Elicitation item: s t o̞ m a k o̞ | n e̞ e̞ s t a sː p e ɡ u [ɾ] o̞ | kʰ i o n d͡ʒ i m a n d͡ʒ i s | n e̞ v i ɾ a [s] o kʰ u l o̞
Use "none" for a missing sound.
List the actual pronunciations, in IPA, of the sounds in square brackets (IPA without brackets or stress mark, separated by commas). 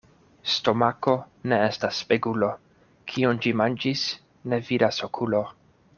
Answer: l, s